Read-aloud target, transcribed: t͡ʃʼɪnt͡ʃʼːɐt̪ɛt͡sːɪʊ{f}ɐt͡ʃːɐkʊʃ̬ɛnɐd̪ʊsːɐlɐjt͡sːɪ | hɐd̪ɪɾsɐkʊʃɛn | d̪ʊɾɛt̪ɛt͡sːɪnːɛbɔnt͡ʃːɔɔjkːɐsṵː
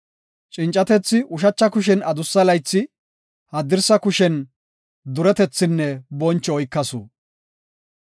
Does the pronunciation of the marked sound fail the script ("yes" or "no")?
yes